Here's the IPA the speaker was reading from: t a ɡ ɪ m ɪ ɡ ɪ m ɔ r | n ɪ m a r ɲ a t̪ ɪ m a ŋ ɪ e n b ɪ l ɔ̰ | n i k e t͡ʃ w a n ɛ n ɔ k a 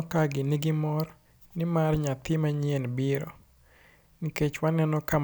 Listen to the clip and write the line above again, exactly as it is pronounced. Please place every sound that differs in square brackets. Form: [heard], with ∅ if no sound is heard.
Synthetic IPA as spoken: [k] a ɡ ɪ [n] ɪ ɡ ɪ m ɔ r | n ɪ m a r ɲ a t̪ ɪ m a [ɲ] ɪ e n b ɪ [ɾ] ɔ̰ | n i k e t͡ʃ w a n ɛ n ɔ k a